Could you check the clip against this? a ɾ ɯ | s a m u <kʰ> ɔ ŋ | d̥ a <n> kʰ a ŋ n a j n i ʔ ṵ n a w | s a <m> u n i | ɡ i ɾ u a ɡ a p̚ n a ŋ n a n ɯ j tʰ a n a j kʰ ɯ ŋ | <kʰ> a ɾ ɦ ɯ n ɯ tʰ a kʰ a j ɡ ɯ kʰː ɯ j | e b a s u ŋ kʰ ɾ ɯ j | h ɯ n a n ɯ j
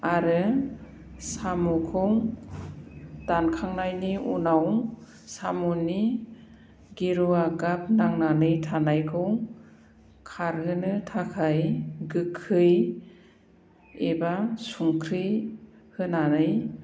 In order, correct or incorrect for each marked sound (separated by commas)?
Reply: correct, correct, correct, correct